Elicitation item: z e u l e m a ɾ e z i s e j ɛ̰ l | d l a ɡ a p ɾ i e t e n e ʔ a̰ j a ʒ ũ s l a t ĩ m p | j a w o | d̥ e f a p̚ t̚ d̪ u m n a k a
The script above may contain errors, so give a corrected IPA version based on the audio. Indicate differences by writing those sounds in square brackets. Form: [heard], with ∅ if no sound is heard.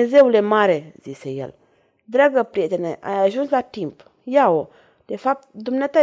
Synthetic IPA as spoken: z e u l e m a ɾ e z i s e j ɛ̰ l | d [ɾ] a ɡ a p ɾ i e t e n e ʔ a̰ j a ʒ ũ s l a t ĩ m p | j a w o | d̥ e f a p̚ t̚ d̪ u m n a [t] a